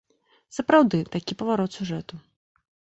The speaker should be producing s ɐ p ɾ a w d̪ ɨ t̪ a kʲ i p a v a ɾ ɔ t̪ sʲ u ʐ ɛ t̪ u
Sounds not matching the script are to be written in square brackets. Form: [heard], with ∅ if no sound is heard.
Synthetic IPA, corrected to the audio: s ɐ p ɾ a w d̪ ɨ t̪ a kʲ i p [ɐ] v a ɾ ɔ t̪ sʲ u ʐ ɛ t̪ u